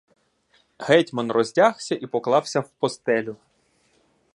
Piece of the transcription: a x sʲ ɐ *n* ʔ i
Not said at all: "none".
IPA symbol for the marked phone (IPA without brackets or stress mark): none